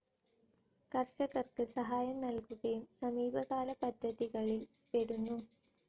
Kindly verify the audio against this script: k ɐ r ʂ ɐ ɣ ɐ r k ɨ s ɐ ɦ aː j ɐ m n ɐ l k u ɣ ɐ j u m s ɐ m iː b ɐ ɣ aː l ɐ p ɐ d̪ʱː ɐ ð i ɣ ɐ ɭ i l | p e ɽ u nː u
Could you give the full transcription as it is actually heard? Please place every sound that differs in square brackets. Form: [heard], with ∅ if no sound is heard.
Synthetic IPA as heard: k ɐ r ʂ ɐ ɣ ɐ r k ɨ s ɐ ɦ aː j ɐ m n ɐ l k u ɣ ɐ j u m s ɐ m iː b ɐ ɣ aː l ɐ p ɐ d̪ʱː ɐ ð i ɣ ɐ ɭ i l | p e ɽ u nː u